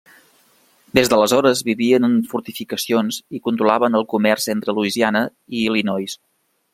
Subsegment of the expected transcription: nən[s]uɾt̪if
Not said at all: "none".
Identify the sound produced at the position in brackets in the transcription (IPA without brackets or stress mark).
f